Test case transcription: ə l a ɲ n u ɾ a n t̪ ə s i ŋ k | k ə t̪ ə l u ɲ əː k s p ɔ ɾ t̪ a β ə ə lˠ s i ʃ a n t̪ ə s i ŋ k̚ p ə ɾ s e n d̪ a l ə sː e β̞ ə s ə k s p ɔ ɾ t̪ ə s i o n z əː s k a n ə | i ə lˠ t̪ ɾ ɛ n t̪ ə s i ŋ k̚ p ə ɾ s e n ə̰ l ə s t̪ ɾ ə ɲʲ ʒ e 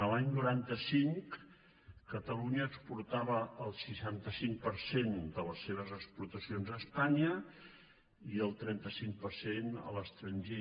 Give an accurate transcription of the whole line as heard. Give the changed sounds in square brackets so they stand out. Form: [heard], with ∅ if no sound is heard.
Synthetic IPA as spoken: ə l a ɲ n u ɾ a n t̪ ə s i ŋ k | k ə t̪ ə l u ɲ əː k s p [u] ɾ t̪ a β ə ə lˠ s i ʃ a n t̪ ə s i ŋ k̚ p ə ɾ s e n d̪ [ə] l ə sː e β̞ ə [z] ə k s p [u] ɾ t̪ ə s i o n z əː s [p] a [ɲ] ə | i ə lˠ t̪ ɾ ɛ n t̪ ə s i ŋ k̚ p ə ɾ s e n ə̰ l ə s t̪ ɾ ə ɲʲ ʒ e

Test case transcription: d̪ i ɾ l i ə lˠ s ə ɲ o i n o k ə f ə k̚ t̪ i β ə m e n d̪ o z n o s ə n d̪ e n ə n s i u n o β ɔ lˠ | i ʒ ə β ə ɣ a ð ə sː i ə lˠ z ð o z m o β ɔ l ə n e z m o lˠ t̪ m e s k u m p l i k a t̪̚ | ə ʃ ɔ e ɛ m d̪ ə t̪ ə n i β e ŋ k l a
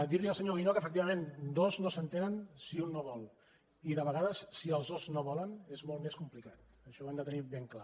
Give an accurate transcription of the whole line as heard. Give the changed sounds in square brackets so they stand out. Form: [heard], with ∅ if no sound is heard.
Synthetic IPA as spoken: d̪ i ɾ l i ə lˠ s ə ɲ o i n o k ə f ə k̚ t̪ i β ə m e n d̪ o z n o s ə n [t̪] e n ə n s i u [nː] o β ɔ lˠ | i [ð] ə β ə ɣ a ð ə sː i ə lˠ z ð o z [n] o β ɔ l ə n e z m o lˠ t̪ m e s k u m p l i k a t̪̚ | ə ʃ ɔ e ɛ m d̪ ə t̪ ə n i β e ŋ k l a

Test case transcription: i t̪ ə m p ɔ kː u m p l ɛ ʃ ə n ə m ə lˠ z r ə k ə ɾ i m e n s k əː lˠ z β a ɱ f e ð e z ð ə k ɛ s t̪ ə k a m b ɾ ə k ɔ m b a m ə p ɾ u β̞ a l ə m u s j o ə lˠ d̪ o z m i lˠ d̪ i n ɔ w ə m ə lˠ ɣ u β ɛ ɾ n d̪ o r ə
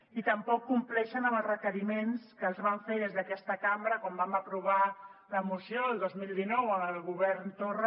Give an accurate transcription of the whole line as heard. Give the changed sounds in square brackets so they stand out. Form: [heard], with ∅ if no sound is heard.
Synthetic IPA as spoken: i t̪ ə m p ɔ kː u m p l ɛ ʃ ə n ə m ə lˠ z r ə k ə ɾ i m e n s k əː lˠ z β a ɱ f e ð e z ð ə k ɛ s t̪ ə k a m b ɾ ə k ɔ m b a m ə p ɾ u β̞ a l ə m u s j o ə lˠ d̪ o z m i lˠ d̪ i n ɔ w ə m ə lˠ ɣ u β ɛ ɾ n [t̪] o r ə

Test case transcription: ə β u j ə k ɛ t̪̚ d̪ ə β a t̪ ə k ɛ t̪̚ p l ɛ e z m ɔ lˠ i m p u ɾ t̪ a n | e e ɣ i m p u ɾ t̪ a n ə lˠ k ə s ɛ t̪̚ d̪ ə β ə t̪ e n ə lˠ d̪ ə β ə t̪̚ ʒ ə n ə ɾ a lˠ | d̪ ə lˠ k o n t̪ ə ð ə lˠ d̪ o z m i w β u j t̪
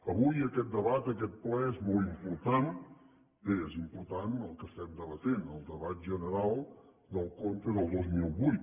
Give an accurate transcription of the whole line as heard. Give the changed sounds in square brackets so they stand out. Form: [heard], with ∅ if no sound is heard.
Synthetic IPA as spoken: ə β u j ə k ɛ t̪̚ d̪ ə β a t̪ ə k ɛ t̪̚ p l ɛ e z m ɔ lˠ i m p u ɾ t̪ a n | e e [z] i m p u ɾ t̪ a n ə lˠ k ə s ɛ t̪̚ d̪ ə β ə t̪ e n ə lˠ d̪ ə β [a] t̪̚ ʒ ə n ə ɾ a lˠ | d̪ ə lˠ k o n t̪ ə ð ə lˠ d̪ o z m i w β u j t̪

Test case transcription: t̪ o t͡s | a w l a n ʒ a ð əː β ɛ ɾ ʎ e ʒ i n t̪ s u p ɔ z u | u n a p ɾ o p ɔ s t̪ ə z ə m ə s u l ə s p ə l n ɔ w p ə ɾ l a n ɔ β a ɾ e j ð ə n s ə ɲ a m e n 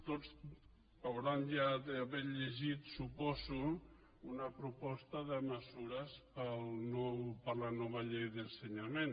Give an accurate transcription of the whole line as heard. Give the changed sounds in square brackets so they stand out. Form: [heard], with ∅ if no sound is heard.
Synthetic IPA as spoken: t̪ o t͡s | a w [ɾ] a n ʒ a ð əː β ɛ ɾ ʎ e ʒ i [∅] t̪ s u p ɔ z u | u n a p ɾ [u] p ɔ s t̪ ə [ð] ə m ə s u [ɾ] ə s p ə l n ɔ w p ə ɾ l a n ɔ β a [ʎ] e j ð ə n s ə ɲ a m e n

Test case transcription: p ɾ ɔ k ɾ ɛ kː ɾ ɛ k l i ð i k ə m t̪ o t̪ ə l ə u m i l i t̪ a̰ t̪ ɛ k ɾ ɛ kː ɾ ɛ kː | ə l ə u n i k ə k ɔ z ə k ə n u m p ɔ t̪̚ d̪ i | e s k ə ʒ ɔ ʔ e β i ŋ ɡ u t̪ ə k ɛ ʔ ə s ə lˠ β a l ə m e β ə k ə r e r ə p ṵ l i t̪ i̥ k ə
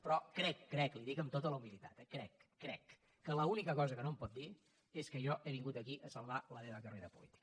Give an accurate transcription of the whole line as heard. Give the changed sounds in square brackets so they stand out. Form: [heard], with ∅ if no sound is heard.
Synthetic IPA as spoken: p ɾ ɔ k ɾ ɛ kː ɾ ɛ k l i ð i k ə m t̪ o t̪ ə l ə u m i l i t̪ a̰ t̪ ɛ k ɾ ɛ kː ɾ ɛ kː | ə l ə u n i k ə k ɔ z ə k ə n [o] m p ɔ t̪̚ d̪ i | e s k ə ʒ ɔ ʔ e β i ŋ ɡ u t̪ ə k [i] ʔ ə s ə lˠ β a l ə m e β ə k ə r e [ɾ] ə p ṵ l i t̪ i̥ k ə

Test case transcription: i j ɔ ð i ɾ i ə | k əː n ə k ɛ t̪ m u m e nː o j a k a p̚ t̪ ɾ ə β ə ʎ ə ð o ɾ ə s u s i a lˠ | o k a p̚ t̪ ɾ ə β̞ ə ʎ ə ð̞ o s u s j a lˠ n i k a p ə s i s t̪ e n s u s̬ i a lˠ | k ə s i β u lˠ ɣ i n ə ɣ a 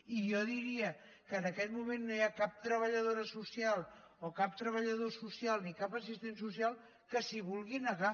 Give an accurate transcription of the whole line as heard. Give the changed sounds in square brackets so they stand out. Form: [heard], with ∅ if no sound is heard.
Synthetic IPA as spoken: i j ɔ ð i ɾ i ə | k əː n ə k ɛ t̪ m u m e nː o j a k a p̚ t̪ ɾ ə β ə ʎ ə ð o ɾ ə s u s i a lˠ | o k a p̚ t̪ ɾ ə β̞ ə ʎ ə ð̞ o s u s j a lˠ n i k a p ə s i s t̪ e n s u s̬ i a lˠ | k ə s i β u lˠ ɣ i n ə ɣ a

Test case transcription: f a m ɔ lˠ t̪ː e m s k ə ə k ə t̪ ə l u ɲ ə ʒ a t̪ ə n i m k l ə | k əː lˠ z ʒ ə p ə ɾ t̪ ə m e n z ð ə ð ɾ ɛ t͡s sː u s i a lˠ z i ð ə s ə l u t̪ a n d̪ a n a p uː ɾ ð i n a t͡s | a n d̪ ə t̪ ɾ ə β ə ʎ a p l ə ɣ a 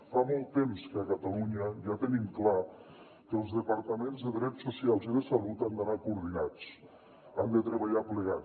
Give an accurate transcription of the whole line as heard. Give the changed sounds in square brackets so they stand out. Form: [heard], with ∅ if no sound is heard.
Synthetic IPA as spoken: f a m ɔ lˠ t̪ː e m s k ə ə k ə t̪ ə l u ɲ ə ʒ a t̪ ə n i m k l [a] | k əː lˠ z [ð] ə p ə ɾ t̪ ə m e n z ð ə ð ɾ ɛ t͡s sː u s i a lˠ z i ð ə s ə l u t̪ a n d̪ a n a [k] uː ɾ ð i n a t͡s | a n d̪ ə t̪ ɾ ə β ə ʎ a p l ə ɣ a

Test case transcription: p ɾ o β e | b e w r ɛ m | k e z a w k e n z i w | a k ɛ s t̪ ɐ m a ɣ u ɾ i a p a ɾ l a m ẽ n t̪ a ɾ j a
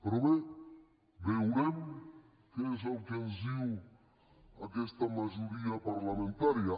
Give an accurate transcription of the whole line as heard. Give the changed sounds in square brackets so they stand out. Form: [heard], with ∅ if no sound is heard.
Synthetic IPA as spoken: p ɾ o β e | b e w [ɾ] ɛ m | k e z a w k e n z i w | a k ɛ s t̪ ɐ m a [ʒ] u ɾ i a p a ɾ l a m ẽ n t̪ a ɾ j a

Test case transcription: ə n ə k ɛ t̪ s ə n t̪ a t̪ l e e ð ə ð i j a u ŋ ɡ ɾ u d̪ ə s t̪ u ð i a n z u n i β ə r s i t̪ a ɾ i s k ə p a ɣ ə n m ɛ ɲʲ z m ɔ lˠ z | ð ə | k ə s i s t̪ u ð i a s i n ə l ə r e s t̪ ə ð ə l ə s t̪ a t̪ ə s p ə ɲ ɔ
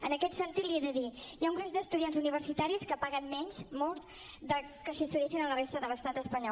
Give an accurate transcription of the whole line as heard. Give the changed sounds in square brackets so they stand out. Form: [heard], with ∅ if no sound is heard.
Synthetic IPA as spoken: ə n ə k ɛ t̪ s ə n t̪ [i] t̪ l [i] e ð ə ð i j a u ŋ ɡ ɾ u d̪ ə s t̪ u ð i a n z u n i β ə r s i t̪ a ɾ i s k ə p a ɣ ə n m ɛ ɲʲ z m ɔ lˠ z | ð ə | k ə s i s t̪ u ð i [ɛ] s i n ə l ə r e s t̪ ə ð ə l ə s t̪ a t̪ ə s p ə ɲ ɔ

